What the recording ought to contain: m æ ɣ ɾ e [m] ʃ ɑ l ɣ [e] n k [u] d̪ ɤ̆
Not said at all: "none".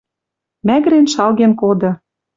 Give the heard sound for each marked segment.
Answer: n, e, o

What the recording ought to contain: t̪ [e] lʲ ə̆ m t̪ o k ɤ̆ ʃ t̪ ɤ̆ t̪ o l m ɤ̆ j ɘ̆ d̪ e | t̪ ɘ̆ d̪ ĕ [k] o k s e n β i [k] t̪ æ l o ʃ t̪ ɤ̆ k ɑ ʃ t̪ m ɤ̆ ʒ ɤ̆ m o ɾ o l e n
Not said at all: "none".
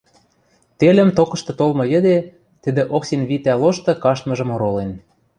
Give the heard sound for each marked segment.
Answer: e, ʔ, none

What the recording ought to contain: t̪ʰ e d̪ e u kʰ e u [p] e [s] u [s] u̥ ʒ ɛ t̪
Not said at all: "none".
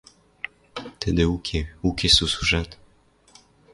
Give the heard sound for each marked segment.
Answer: k, s, s

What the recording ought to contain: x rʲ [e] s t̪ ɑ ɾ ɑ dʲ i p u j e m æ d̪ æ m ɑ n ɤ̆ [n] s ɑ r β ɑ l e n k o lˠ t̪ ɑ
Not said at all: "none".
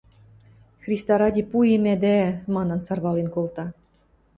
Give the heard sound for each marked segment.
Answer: i, n

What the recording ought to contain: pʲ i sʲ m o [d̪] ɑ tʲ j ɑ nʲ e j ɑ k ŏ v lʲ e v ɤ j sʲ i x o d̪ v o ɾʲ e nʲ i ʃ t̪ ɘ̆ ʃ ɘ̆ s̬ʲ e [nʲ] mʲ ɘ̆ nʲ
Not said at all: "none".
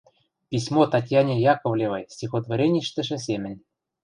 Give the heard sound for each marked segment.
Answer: t̪, none

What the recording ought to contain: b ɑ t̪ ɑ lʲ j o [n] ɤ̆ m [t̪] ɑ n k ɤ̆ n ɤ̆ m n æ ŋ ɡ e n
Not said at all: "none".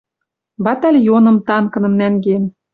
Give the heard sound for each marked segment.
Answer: n, t̪

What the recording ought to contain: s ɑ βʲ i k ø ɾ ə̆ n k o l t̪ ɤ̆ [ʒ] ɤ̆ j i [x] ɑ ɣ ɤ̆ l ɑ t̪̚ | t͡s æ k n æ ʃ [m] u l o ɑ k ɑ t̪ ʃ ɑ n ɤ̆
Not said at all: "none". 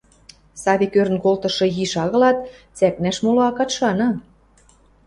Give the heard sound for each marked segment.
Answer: ʃ, ʃ, m

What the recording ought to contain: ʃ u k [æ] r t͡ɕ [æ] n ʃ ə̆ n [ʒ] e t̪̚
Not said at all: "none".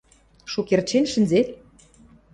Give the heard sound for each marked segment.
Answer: e, e, z

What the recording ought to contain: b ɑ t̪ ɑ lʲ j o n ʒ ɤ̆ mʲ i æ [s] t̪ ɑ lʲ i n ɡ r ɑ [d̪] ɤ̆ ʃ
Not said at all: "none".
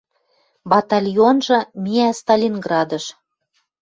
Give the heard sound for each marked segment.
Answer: s, d̪

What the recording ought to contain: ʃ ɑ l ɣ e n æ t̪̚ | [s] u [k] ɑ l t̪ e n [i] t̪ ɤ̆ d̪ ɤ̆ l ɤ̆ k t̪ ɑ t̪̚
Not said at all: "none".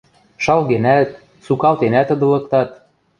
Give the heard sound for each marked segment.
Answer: s, k, æ

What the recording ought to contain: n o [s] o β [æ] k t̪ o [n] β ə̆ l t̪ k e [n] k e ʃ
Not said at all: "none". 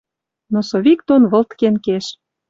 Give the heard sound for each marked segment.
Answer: s, i, n, n

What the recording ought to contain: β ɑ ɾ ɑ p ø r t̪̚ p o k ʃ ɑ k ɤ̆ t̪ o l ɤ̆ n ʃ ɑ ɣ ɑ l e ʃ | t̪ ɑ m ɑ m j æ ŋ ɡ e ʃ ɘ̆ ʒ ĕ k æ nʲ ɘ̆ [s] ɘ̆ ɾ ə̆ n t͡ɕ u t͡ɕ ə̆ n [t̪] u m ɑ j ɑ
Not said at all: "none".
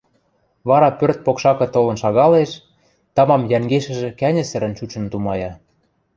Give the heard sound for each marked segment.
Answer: s, t̪

